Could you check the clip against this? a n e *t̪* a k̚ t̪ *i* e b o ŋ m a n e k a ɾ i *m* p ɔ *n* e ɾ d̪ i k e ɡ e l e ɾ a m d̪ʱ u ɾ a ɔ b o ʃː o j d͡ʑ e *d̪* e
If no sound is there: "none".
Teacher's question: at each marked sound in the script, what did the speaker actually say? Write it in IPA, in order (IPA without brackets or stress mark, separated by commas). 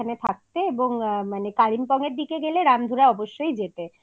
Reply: t̪ʰ, e, m, ŋ, t̪